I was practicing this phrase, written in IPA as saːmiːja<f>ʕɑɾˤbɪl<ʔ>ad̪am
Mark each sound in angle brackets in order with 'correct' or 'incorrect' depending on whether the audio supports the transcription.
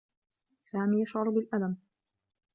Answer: incorrect: ʃ, correct

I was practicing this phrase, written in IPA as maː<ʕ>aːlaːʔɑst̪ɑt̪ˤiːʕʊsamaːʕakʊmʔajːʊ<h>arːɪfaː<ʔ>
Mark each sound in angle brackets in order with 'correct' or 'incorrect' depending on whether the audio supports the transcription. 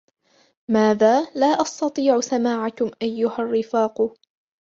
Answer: incorrect: ð, correct, incorrect: q

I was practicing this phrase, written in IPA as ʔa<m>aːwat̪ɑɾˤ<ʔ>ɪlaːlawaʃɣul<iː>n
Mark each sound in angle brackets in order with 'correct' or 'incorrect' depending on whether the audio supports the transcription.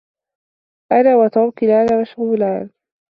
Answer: incorrect: n, incorrect: k, incorrect: aː

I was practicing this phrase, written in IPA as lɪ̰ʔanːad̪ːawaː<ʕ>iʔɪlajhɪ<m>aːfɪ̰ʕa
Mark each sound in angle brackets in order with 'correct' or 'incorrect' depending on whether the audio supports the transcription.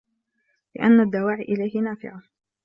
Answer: correct, incorrect: n

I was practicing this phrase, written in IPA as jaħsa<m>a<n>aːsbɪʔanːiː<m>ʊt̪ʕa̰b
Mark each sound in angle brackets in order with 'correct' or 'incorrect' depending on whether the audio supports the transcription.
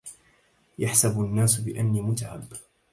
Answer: incorrect: b, incorrect: nː, correct

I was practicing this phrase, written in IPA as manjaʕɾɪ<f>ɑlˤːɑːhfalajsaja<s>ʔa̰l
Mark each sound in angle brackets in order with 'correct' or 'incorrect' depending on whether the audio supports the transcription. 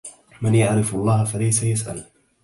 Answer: correct, correct

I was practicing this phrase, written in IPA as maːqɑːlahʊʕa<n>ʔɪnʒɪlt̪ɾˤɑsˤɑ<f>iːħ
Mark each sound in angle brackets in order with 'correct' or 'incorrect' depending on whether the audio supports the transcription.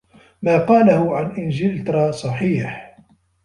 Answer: correct, incorrect: ħ

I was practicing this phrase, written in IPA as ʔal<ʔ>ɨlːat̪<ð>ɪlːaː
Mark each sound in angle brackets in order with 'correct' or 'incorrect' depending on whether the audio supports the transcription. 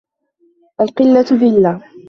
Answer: incorrect: q, correct

